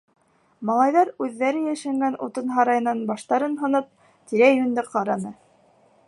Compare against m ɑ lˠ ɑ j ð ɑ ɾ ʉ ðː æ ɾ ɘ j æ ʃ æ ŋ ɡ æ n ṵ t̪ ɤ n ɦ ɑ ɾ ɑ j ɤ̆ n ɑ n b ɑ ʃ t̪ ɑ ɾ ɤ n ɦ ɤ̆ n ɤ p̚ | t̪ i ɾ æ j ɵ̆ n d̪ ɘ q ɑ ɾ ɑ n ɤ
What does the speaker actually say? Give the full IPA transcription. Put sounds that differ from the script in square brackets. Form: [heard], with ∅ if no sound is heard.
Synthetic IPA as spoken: m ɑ lˠ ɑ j ð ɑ ɾ ʉ ðː æ ɾ ɘ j æ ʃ æ ŋ ɡ æ n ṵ t̪ ɤ n ɦ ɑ ɾ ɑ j ɤ̆ n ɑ n b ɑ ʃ t̪ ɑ ɾ ɤ n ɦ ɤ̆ n ɤ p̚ | t̪ i ɾ æ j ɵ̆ n d̪ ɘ q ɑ ɾ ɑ n ɤ